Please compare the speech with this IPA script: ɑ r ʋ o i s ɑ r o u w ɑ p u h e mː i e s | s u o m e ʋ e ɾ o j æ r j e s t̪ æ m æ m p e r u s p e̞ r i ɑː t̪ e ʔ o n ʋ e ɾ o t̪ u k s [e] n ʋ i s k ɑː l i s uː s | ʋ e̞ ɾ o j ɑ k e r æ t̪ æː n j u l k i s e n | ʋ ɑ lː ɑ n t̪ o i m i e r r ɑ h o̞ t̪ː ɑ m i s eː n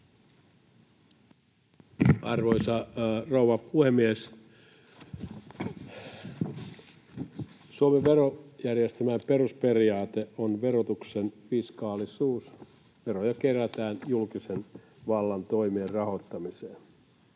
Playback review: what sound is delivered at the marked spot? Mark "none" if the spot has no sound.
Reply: e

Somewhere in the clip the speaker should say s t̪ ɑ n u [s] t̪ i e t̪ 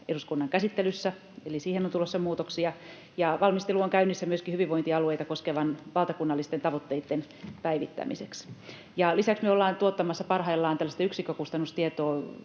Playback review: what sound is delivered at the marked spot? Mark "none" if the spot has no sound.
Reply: s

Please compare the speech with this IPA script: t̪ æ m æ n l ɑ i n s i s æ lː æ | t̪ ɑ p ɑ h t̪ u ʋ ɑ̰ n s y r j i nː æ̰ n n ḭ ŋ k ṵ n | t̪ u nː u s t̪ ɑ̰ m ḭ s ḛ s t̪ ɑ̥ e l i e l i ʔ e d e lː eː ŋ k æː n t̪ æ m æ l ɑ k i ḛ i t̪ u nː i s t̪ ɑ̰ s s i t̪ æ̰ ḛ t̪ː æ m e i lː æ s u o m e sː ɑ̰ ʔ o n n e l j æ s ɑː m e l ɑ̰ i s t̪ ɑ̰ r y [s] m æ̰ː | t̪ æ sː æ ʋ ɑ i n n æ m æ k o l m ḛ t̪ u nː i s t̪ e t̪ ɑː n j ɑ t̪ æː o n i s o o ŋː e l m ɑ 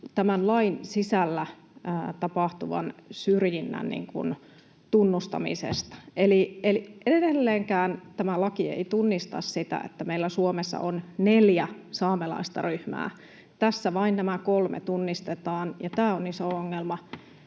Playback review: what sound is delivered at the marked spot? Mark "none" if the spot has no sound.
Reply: h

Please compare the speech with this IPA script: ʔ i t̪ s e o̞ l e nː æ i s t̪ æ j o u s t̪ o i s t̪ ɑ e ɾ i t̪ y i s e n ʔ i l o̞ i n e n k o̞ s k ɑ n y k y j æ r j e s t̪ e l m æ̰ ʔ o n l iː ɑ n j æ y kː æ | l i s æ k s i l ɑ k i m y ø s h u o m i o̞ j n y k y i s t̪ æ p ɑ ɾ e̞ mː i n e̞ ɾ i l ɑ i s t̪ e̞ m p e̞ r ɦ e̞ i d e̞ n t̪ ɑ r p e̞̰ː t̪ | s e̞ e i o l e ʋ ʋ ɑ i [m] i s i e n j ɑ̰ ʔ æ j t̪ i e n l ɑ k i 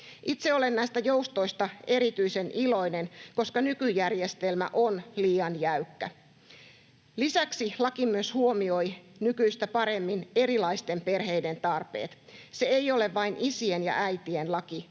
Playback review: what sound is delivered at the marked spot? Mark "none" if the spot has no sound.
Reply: n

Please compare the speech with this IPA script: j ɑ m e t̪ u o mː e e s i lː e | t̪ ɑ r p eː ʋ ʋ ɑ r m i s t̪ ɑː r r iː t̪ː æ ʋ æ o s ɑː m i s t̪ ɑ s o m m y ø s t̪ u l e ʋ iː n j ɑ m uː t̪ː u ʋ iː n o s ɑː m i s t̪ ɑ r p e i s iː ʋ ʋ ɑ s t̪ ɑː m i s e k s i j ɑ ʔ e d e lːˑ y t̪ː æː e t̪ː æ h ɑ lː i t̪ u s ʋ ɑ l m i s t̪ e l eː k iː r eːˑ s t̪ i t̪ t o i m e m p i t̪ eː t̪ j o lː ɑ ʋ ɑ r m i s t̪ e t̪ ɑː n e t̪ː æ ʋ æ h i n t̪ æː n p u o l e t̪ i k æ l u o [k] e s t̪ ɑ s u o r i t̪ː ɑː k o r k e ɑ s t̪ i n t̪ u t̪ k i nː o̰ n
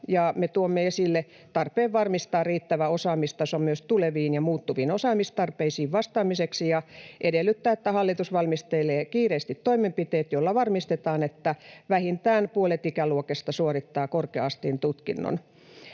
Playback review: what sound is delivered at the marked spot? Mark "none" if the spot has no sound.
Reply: k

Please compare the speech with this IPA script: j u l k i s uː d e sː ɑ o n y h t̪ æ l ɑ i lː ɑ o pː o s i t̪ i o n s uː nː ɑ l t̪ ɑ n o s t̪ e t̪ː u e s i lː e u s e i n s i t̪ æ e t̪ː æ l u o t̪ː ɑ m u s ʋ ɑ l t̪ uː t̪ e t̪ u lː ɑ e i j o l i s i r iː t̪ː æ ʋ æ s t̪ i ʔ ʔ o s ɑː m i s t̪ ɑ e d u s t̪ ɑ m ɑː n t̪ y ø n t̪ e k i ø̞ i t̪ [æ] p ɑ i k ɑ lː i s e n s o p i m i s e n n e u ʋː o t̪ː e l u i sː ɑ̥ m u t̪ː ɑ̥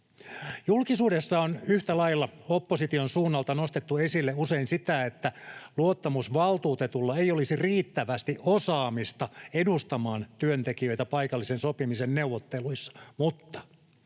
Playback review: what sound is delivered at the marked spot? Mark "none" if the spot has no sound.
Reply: æ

